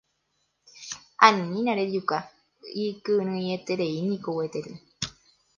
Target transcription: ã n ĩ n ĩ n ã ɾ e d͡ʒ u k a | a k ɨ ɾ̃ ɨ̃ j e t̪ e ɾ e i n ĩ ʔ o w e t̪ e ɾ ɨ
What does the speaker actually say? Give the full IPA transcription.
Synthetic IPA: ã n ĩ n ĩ n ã ɾ e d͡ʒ u k a | i k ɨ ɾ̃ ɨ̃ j e t̪ e ɾ e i n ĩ k o w e t̪ e ɾ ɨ